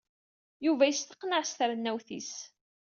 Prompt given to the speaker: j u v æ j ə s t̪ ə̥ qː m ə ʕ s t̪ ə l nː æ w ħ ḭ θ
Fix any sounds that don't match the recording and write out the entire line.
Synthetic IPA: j u v æ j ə s t̪ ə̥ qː n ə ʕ s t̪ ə ɾ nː æ w θ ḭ s